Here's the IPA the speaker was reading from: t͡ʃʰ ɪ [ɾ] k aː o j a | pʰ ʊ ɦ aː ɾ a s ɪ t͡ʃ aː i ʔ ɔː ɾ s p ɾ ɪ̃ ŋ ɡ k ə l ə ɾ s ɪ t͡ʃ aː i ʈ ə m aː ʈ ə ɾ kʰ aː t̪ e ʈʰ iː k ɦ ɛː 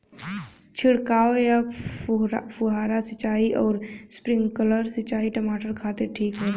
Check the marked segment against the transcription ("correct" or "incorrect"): incorrect